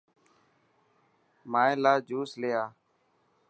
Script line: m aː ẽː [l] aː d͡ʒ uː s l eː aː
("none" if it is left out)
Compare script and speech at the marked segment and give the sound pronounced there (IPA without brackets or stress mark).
l